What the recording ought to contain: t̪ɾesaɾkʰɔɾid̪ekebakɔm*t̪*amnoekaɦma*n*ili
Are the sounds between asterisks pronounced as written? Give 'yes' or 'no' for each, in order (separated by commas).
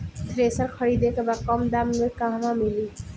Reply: no, no